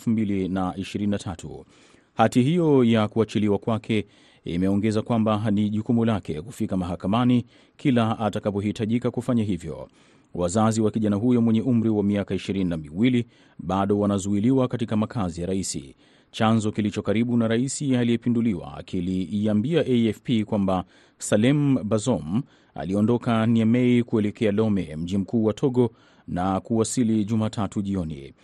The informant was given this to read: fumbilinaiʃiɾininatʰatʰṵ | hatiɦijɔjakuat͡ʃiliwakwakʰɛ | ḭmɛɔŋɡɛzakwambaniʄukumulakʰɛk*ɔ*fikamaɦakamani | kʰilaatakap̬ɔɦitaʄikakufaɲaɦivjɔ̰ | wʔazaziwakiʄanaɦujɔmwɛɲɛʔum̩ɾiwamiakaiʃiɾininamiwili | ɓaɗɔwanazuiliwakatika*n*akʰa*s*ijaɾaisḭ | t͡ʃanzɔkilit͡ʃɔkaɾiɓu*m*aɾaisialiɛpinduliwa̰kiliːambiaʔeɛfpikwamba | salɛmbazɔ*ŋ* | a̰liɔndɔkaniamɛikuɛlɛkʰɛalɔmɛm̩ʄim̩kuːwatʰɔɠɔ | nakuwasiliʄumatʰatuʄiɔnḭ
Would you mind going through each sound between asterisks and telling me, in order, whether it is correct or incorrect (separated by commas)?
incorrect, incorrect, incorrect, incorrect, incorrect